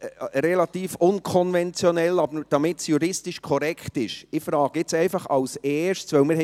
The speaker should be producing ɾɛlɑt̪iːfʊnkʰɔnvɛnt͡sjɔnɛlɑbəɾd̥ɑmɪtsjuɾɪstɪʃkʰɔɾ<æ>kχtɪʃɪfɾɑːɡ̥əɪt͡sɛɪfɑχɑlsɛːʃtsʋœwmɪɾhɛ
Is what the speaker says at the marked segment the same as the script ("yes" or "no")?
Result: no